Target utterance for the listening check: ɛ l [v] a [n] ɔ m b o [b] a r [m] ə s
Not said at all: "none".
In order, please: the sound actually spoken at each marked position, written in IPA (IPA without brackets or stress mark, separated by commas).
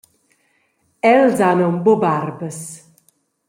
z, n, b, b